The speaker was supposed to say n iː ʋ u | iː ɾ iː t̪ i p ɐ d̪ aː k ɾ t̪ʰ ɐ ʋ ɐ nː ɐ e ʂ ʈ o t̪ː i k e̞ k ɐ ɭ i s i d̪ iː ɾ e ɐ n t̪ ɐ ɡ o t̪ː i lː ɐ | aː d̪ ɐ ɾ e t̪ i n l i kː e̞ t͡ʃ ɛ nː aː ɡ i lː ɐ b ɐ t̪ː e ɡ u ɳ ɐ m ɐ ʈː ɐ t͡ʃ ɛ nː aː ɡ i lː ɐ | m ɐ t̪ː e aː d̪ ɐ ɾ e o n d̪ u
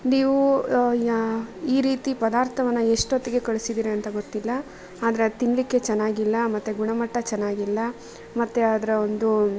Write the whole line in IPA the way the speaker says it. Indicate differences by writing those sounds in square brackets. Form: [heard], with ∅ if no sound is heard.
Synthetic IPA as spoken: n iː ʋ u | iː ɾ iː t̪ i p ɐ d̪ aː [∅] ɾ t̪ʰ ɐ ʋ ɐ nː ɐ e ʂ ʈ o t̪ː i [ɡ] e̞ k ɐ ɭ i s i d̪ iː ɾ e ɐ n t̪ ɐ ɡ o t̪ː i lː ɐ | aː d̪ ɐ ɾ e t̪ i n l i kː e̞ t͡ʃ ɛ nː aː ɡ i lː ɐ [m] ɐ t̪ː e ɡ u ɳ ɐ m ɐ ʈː ɐ t͡ʃ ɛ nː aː ɡ i lː ɐ | m ɐ t̪ː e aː d̪ ɐ ɾ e o n d̪ u